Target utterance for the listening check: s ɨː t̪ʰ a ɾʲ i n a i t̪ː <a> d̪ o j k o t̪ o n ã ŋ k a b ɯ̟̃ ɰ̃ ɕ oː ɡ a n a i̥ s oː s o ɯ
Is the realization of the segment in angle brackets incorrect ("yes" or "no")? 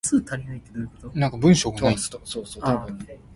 yes